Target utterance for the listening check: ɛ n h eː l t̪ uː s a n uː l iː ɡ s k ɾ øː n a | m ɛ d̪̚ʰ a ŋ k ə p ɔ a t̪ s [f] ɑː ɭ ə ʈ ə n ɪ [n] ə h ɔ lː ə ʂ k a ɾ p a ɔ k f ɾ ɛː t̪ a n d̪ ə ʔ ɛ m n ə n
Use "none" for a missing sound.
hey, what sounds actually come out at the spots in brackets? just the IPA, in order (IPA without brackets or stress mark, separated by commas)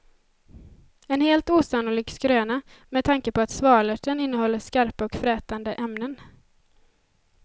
v, nː